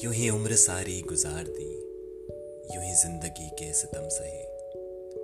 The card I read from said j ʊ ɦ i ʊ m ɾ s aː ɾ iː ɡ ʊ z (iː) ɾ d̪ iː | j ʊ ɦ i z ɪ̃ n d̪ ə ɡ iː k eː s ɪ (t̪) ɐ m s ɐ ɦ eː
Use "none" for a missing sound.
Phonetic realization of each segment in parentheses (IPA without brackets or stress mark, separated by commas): aː, t̪